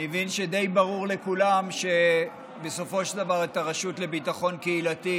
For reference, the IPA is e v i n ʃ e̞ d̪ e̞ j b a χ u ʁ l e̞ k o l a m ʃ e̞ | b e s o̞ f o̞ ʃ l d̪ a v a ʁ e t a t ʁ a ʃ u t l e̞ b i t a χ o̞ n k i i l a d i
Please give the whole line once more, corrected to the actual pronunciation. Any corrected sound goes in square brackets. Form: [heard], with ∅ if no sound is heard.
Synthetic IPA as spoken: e v i n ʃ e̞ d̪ e̞ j b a [ʁ] u ʁ l e̞ k [u] l a m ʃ e̞ | b e s o̞ f o̞ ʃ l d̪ a v a ʁ e t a [∅] ʁ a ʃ u t l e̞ b i t a χ o̞ n k [e] i l a [t] i